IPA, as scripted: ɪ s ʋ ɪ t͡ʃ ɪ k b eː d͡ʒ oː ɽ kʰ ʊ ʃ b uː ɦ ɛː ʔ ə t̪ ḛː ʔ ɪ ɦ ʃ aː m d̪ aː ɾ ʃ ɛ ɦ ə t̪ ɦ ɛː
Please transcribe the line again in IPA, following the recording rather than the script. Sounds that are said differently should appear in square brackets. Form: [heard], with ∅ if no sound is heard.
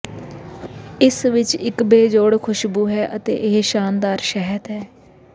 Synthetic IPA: ɪ s ʋ ɪ t͡ʃ ɪ k b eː d͡ʒ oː ɽ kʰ ʊ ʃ b uː ɦ ɛː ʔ ə t̪ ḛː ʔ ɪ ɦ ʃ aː [n] d̪ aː ɾ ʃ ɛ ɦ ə t̪ ɦ ɛː